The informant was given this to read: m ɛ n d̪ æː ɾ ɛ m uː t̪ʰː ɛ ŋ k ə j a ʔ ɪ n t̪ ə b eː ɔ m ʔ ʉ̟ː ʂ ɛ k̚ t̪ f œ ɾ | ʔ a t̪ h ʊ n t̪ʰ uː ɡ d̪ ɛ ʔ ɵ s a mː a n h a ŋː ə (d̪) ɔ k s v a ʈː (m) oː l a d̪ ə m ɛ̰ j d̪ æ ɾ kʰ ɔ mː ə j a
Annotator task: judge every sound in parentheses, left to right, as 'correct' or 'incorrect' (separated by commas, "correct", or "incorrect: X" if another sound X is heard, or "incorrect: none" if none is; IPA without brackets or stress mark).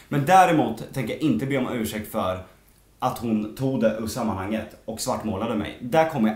incorrect: t̪, correct